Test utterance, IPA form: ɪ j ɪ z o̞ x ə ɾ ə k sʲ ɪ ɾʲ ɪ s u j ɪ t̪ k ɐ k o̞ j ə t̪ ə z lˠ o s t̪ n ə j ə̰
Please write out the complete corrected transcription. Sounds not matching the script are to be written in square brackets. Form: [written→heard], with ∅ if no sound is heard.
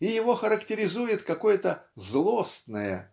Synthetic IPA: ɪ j ɪ [z→v] o̞ x ə ɾ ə k [sʲ→tʲ] ɪ ɾʲ ɪ [s→z] u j ɪ t̪ k ɐ k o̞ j ə t̪ ə z lˠ o s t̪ n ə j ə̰